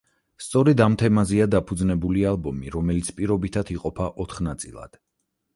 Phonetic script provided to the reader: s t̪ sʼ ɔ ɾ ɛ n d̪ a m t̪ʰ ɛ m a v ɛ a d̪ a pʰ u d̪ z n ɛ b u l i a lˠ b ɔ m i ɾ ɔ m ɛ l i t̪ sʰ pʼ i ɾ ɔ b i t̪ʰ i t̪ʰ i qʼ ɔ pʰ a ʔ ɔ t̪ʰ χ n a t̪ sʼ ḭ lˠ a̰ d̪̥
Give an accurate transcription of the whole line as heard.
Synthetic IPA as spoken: s t̪ sʼ ɔ ɾ ɛ d̪ a m t̪ʰ ɛ m a z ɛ a d̪ a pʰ u d̪ z n ɛ b u l i a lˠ b ɔ m i ɾ ɔ m ɛ l i t̪ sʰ pʼ i ɾ ɔ b i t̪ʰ a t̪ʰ i qʼ ɔ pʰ a ʔ ɔ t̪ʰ χ n a t̪ sʼ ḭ lˠ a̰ d̪̥